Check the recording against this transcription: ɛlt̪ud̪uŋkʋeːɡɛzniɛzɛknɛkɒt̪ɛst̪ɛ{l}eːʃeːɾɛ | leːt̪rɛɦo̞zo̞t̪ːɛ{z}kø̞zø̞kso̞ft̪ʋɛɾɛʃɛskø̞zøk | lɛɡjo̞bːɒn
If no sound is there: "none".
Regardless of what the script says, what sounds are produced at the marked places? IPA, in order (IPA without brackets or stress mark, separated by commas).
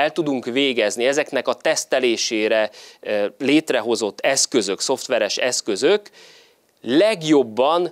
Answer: l, s